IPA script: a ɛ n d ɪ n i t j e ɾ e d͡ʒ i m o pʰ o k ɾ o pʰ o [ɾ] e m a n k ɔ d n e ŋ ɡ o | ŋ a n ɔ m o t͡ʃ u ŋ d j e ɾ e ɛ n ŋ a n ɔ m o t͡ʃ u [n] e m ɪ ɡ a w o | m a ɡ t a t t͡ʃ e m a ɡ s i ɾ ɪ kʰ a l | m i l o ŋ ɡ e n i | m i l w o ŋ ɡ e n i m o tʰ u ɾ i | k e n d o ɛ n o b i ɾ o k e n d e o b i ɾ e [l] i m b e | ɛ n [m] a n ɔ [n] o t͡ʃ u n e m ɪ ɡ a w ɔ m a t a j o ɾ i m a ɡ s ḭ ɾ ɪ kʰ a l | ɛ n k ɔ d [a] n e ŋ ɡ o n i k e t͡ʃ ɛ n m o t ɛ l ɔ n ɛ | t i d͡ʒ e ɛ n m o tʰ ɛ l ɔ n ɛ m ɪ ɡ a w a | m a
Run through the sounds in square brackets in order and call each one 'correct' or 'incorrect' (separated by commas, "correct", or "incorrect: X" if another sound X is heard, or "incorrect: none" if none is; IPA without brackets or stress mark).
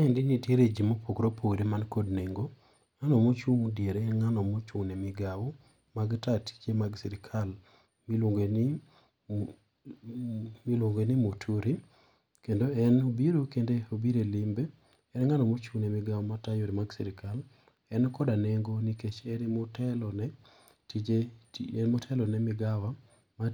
correct, correct, correct, incorrect: ŋ, incorrect: m, correct